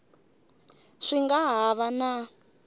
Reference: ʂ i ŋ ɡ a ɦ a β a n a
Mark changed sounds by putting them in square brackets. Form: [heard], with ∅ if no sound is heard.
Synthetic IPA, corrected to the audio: ʂ i ŋ ɡ a ɦ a β a n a